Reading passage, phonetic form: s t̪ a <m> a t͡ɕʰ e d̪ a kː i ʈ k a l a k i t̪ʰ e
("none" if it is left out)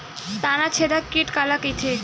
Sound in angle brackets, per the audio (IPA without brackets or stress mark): n